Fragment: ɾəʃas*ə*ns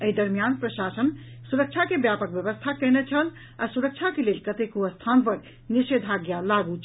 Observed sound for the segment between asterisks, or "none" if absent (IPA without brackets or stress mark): ə